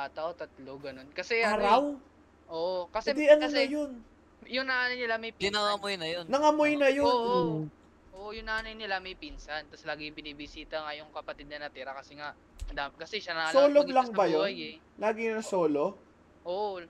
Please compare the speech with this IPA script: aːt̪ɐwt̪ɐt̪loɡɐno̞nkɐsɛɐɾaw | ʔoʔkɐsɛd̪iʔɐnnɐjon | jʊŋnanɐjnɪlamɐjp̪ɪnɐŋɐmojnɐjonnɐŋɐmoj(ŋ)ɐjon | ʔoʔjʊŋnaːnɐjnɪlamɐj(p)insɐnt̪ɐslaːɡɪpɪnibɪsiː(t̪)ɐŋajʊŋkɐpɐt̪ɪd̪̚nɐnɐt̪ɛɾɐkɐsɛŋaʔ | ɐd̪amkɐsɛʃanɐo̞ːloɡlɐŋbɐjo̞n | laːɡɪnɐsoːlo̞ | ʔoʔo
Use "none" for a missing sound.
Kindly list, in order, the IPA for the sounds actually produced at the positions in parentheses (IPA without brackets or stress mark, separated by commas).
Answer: n, p, t̪